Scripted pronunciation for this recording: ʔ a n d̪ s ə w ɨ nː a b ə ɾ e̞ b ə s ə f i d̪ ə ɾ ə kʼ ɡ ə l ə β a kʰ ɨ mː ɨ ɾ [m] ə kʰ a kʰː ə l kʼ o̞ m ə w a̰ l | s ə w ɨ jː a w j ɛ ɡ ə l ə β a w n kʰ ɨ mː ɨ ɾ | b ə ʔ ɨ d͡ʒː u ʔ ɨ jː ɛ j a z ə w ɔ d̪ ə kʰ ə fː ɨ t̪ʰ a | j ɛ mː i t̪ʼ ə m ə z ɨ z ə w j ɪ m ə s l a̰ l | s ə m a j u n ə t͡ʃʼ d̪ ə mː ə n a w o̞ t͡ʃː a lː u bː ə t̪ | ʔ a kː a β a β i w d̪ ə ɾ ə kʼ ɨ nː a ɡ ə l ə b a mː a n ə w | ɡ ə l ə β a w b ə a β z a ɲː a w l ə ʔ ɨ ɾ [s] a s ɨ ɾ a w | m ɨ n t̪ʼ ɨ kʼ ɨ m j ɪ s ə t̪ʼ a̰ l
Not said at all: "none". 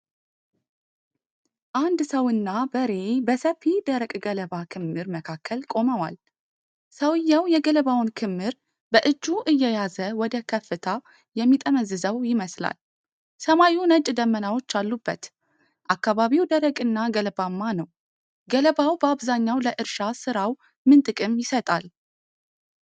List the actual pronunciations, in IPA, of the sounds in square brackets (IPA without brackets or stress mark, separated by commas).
m, ʃ